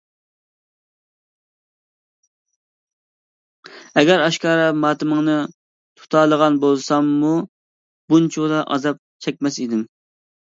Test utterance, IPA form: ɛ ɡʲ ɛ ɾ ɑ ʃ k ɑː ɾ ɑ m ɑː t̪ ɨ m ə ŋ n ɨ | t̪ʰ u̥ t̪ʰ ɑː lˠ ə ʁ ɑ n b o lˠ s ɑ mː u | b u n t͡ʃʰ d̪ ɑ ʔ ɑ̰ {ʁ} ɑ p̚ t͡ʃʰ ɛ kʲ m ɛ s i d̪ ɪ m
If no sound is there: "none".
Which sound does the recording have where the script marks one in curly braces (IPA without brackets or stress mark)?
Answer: z